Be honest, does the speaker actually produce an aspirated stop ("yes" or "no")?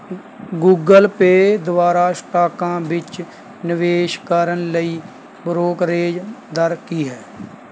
no